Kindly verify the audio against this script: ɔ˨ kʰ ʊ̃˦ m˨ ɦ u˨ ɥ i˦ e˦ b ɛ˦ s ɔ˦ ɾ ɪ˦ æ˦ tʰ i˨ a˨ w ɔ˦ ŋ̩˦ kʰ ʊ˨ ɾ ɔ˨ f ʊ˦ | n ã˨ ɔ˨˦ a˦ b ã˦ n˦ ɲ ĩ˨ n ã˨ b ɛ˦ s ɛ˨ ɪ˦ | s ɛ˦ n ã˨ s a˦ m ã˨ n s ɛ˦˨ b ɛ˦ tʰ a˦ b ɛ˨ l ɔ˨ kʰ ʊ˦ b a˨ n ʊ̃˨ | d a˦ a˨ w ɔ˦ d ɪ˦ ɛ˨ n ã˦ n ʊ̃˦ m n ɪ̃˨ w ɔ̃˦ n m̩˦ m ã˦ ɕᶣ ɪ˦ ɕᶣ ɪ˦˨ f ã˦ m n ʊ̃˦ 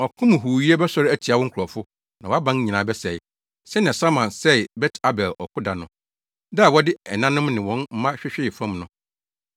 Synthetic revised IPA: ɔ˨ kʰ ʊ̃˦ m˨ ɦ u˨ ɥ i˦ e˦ b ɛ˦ s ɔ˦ ɾ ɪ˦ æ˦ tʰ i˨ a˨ w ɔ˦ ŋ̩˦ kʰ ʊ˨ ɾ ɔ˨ f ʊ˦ | n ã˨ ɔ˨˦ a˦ b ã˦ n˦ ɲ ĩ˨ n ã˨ b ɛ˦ s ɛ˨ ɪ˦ | s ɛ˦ n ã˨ s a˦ m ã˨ n s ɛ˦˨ b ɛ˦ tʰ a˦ b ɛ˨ l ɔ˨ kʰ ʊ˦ d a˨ n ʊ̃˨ | d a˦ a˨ w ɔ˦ d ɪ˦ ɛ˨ n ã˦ n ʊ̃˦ m n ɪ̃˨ w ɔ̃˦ n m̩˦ m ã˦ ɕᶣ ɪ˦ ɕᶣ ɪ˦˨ f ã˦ m n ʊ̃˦